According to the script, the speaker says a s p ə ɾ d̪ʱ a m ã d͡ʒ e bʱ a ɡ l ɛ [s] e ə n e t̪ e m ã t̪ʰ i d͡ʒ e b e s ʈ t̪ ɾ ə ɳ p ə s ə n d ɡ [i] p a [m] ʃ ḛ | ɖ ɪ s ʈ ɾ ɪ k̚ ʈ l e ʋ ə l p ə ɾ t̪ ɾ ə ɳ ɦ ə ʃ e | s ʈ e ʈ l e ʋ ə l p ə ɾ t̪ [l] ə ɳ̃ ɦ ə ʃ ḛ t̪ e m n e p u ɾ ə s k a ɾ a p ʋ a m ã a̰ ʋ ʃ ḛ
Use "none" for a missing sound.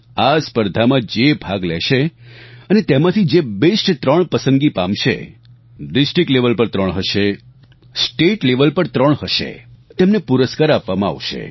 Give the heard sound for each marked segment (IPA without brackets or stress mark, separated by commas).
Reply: ʃ, i, m, ɾ